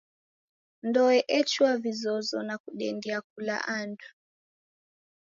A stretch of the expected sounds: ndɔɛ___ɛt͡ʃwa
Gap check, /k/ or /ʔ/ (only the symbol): ʔ